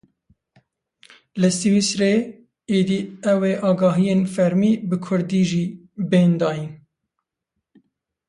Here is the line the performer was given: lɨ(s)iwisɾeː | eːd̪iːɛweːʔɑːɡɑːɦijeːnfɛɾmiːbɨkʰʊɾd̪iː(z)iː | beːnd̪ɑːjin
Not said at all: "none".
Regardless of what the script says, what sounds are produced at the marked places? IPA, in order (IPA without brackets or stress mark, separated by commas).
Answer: s, ʒ